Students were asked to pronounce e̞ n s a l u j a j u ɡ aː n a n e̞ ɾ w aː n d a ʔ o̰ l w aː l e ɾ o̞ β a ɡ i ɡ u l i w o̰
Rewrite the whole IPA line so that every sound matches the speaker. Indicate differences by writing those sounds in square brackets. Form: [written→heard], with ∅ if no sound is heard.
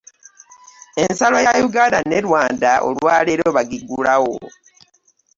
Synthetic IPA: e̞ n s a l [u→o] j a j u ɡ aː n a n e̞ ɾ w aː n d a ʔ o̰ l w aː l e ɾ o̞ β a ɡ i ɡ u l [i→a] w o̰